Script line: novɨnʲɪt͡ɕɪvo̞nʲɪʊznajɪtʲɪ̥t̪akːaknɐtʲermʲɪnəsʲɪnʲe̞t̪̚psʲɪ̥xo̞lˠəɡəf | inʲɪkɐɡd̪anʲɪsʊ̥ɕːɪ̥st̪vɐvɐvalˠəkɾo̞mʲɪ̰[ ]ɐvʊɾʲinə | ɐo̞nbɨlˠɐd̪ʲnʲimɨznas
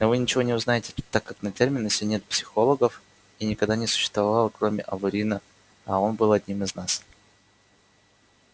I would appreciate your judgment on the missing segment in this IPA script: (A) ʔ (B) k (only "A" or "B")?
A